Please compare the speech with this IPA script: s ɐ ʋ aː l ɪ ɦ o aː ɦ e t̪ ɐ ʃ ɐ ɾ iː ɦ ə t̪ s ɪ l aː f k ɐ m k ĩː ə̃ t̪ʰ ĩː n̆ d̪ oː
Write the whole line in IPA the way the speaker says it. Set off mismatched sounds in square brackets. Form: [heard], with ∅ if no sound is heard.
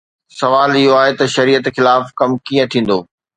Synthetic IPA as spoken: s ɐ ʋ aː l ɪ ɦ o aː ɦ e t̪ ɐ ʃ ɐ ɾ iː [∅] ə t̪ [x] ɪ l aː f k ɐ m k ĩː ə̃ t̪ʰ ĩː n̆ d̪ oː